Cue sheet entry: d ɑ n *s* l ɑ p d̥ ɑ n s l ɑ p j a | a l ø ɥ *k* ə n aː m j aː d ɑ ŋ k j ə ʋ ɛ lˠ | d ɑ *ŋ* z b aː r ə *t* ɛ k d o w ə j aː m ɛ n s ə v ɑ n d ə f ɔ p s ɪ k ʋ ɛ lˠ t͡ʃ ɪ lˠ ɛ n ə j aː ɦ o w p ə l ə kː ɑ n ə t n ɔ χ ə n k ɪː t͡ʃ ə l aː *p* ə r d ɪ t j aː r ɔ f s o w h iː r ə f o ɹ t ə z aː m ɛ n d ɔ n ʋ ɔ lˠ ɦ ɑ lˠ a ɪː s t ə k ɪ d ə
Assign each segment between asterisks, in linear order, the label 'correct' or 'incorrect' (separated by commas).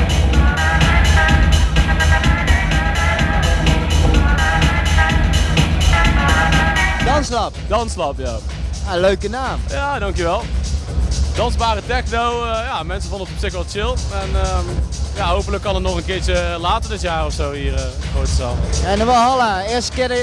correct, correct, incorrect, correct, incorrect